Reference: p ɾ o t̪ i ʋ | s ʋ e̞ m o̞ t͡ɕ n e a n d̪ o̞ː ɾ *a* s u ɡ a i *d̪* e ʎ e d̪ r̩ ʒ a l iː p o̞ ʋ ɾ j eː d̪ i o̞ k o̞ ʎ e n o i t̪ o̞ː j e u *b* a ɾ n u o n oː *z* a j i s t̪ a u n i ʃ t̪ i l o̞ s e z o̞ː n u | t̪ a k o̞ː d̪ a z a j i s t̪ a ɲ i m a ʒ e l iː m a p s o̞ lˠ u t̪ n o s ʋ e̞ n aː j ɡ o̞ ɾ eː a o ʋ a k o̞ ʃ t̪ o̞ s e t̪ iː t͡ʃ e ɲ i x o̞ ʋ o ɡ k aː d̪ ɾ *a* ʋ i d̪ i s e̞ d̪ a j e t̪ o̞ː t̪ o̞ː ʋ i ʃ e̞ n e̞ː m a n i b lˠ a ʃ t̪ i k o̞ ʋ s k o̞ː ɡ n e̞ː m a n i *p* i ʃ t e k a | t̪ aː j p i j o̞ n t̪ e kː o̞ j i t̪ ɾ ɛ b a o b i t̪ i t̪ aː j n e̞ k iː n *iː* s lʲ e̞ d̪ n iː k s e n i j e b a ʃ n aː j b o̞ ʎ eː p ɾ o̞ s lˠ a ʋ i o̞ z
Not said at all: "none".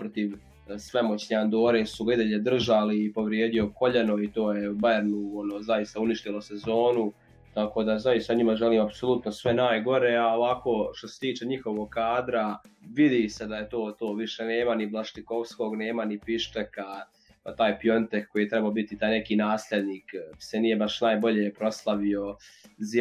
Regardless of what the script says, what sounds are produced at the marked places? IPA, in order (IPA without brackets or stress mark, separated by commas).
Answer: e, d̪, b, z, a, p, aː